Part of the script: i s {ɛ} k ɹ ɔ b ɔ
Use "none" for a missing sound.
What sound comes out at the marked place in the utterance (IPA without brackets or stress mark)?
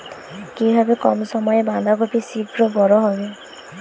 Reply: i